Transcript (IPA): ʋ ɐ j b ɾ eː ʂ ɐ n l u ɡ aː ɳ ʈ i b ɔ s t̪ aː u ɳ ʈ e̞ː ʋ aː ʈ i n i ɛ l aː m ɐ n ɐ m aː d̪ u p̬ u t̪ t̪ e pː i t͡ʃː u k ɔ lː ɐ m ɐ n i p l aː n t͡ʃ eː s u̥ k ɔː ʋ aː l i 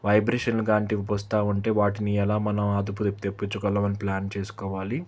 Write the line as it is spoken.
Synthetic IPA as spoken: ʋ ɐ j b ɾ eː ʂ ɐ n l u ɡ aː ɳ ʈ i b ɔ s t̪ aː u ɳ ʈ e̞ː ʋ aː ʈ i n i ɛ l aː m ɐ n ɐ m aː d̪ u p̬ u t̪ t̪ e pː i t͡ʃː u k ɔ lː ɐ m ɐ n i p l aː n t͡ʃ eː s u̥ k ɔː ʋ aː l i